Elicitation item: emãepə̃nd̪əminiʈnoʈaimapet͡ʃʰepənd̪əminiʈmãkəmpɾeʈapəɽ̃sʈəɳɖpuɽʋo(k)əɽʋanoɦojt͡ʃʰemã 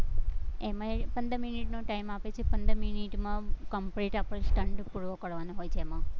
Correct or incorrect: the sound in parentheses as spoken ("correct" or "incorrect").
correct